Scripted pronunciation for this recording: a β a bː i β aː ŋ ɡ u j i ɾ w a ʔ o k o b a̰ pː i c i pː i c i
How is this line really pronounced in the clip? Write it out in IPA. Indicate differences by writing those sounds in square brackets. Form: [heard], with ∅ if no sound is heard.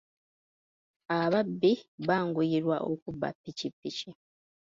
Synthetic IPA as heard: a β a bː i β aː ŋ ɡ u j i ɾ w a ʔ o k [u] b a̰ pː i c i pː i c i